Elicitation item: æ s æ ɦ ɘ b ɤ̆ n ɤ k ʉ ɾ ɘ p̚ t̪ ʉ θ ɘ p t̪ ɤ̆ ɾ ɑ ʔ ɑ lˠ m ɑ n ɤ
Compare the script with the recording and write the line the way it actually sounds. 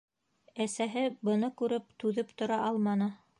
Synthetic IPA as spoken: æ s æ ɦ ɘ b ɤ̆ n ɤ k ʉ ɾ ɘ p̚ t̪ ʉ ð ɘ p t̪ ŏ ɾ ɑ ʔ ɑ lˠ m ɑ n ɤ